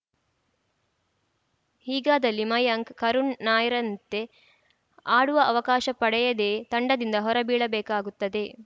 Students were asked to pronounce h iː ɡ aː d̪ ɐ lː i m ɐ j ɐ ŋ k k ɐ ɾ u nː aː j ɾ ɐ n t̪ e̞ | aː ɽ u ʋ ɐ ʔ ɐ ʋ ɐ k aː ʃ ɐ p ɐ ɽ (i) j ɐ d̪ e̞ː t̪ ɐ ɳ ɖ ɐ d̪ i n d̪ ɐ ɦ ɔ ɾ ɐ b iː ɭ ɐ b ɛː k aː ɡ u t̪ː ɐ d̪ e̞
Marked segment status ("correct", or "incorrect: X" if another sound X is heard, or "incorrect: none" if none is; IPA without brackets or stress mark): incorrect: ɛ